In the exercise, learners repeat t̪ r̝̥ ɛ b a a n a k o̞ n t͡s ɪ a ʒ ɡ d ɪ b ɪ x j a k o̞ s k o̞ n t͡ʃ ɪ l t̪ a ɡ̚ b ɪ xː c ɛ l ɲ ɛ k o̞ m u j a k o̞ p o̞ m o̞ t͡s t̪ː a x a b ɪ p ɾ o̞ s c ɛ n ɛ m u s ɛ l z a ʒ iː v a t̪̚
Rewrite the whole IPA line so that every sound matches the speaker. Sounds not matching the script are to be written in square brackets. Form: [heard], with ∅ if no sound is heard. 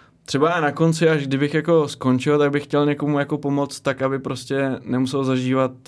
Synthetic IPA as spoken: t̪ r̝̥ ɛ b a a n a k o̞ n t͡s ɪ a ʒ ɡ d ɪ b ɪ x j a k o̞ s k o̞ n t͡ʃ ɪ l t̪ a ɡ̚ b ɪ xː c ɛ l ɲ ɛ k o̞ m u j a k o̞ p o̞ m o̞ t͡s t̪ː a [k] a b ɪ p ɾ o̞ s c ɛ n ɛ m u s ɛ l z a ʒ iː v a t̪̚